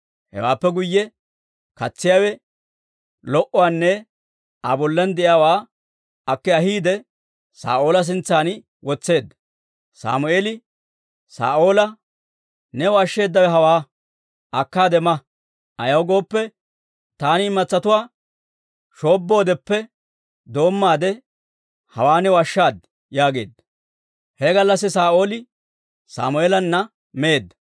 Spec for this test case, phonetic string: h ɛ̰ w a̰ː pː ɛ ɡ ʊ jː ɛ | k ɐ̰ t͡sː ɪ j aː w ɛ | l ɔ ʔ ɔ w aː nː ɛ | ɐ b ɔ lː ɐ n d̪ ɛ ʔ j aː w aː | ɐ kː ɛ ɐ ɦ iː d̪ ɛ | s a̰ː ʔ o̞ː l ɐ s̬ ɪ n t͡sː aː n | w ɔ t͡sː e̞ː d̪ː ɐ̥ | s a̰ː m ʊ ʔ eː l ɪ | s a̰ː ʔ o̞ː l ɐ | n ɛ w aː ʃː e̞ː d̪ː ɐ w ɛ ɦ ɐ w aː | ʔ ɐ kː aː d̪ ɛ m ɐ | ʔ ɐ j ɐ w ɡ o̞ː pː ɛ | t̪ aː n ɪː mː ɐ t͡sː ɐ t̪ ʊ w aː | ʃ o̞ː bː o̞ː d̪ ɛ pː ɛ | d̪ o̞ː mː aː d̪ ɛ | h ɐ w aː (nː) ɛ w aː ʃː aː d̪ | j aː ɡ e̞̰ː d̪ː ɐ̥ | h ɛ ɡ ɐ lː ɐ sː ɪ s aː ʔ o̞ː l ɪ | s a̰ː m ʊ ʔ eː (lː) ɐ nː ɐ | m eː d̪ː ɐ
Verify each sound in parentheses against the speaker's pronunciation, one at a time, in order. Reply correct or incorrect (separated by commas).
incorrect, incorrect